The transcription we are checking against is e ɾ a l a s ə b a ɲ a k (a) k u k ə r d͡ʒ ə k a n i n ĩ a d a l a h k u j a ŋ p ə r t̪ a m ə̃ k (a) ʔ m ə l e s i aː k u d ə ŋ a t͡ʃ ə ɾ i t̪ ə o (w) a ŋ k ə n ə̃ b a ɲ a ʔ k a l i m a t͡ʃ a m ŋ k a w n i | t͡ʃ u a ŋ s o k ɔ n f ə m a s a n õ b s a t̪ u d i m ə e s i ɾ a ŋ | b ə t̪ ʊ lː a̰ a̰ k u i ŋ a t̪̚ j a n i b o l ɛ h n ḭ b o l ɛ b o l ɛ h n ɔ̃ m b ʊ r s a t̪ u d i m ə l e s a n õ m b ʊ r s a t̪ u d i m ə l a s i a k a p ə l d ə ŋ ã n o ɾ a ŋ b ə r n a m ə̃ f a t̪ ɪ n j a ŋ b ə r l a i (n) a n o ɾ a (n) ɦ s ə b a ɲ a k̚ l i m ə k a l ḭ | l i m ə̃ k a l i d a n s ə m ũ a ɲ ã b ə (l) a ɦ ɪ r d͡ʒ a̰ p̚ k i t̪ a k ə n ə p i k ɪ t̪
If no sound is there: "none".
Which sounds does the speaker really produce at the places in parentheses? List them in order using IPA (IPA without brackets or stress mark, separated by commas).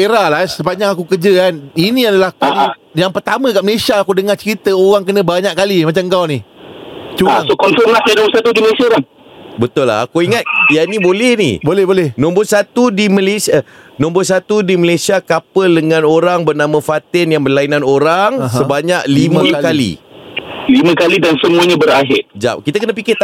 a, a, ɣ, n, ŋ, ɾ